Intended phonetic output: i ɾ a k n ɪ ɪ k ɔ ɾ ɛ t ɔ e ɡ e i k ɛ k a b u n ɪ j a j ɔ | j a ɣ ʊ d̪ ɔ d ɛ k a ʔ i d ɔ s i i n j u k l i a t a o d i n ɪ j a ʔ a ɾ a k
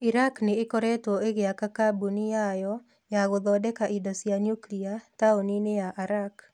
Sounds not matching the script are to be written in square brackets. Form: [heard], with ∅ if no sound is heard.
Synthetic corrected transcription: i ɾ a k n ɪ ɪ k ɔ ɾ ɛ t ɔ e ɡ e [a] k [a] k a b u n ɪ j a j ɔ | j a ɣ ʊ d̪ ɔ d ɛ k a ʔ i d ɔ s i [a] n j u k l i a t a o [n] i n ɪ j a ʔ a ɾ a k